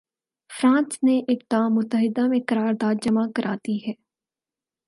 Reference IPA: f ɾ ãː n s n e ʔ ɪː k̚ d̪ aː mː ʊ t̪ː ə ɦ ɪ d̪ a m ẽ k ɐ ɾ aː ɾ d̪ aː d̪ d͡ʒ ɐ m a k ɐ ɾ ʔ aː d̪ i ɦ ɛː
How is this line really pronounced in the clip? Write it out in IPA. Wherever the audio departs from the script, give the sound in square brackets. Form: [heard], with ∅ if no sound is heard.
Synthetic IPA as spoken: f ɾ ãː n s n e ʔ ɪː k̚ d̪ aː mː ʊ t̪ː ə ɦ ɪ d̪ a m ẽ k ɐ ɾ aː ɾ d̪ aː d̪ d͡ʒ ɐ m a k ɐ ɾ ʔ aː [t̪] i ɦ ɛː